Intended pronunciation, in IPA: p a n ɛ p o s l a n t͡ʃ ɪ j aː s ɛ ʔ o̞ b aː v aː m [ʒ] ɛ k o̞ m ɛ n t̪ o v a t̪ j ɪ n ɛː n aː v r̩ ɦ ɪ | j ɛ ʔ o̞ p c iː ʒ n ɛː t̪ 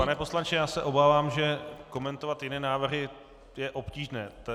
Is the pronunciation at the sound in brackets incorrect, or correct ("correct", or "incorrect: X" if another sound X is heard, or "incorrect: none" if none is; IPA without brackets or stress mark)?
correct